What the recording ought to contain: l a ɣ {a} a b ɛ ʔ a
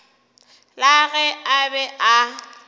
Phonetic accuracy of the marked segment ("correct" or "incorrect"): incorrect